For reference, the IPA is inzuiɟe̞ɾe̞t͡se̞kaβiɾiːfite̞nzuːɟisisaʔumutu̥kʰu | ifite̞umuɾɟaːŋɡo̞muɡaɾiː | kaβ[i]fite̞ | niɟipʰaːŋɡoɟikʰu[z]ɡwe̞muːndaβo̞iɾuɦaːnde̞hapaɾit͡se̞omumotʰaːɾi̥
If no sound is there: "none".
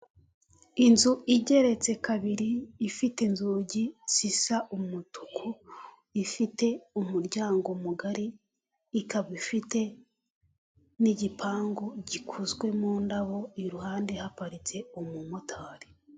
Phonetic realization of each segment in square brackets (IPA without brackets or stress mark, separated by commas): i, z